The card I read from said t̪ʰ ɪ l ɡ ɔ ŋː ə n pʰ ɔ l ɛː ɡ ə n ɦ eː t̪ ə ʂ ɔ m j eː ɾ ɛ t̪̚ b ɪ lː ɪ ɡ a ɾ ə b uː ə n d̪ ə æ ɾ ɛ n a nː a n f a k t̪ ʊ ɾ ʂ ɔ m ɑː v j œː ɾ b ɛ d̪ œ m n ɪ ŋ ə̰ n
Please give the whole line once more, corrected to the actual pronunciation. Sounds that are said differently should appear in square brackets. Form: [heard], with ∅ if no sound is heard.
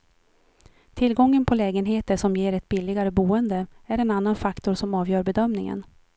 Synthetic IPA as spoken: t̪ʰ ɪ l ɡ ɔ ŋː ə n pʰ ɔ l ɛː ɡ ə n ɦ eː t̪ ə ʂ ɔ m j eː ɾ ɛ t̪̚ b ɪ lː ɪ ɡ a ɾ ə b uː ə n d̪ ə æ ɾ ɛ n a nː a n f a k t̪ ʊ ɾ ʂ ɔ m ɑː v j œː ɾ b ɛ d̪ œ m n ɪ ŋ ə̰ n